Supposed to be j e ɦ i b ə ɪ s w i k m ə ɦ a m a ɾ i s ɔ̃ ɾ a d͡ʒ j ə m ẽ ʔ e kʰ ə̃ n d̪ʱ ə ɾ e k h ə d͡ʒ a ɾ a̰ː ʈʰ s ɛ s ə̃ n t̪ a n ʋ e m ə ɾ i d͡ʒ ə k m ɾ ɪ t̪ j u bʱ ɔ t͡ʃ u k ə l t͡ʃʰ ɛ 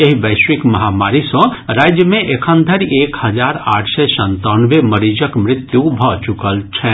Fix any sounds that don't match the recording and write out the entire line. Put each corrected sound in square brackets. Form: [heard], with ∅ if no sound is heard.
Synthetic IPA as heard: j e ɦ i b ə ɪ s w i k m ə ɦ a m a ɾ i s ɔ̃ ɾ a d͡ʒ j ə m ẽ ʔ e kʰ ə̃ n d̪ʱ ə ɾ e k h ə d͡ʒ a ɾ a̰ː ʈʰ s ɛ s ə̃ n t̪ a n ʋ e m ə ɾ i d͡ʒ ə k m ɾ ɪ t̪ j u bʱ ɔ t͡ʃ u k ə l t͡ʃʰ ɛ